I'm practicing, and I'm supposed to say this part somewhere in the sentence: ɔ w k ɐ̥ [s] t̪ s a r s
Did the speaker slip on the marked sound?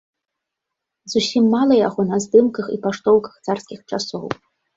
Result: yes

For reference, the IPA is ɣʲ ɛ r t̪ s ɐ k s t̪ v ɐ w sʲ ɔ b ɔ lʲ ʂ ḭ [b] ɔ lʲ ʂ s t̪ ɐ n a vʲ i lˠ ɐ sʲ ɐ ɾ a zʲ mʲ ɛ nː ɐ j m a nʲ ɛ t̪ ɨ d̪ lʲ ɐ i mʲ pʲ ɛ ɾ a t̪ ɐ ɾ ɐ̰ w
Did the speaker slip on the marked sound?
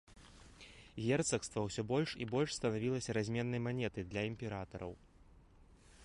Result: no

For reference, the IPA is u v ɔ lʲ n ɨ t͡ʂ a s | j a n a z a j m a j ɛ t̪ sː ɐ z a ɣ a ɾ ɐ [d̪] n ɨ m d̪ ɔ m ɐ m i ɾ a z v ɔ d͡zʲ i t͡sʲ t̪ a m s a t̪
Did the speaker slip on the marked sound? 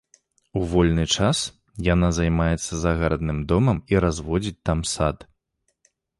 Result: no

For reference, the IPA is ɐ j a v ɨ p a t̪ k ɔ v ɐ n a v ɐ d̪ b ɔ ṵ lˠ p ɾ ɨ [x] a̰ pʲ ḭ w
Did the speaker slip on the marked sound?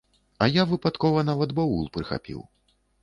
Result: no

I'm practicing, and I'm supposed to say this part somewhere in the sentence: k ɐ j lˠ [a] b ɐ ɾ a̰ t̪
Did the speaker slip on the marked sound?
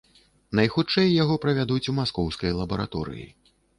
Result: yes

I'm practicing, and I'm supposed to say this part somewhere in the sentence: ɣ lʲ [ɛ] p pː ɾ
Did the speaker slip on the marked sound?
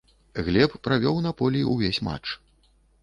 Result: no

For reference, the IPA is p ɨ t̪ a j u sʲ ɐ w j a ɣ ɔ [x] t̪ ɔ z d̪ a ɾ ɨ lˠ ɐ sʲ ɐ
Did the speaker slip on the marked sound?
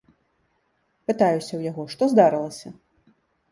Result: yes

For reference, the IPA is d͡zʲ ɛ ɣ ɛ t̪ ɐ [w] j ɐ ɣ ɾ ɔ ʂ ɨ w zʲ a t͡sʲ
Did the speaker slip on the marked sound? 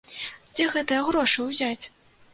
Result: yes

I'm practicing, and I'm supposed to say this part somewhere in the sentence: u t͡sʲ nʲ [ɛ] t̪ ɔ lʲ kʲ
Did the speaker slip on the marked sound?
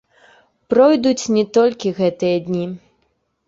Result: no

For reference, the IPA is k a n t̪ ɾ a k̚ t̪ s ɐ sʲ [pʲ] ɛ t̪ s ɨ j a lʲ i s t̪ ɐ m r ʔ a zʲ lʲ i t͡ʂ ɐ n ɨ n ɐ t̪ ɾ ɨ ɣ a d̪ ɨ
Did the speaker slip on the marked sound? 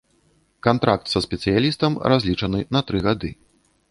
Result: no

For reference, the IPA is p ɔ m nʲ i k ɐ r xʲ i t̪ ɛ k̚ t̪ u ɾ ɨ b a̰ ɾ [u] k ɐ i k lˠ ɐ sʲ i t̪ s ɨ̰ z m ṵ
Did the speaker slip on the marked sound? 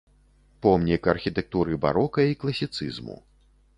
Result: yes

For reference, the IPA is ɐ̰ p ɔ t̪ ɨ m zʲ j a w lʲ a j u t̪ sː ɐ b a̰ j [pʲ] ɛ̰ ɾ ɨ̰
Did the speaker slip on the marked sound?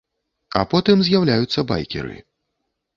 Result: yes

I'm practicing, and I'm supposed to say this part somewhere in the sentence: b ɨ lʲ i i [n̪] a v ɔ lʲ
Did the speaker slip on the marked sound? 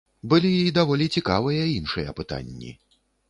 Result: yes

